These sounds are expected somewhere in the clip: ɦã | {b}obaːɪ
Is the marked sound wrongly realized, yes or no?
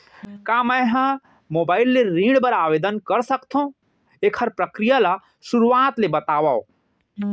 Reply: yes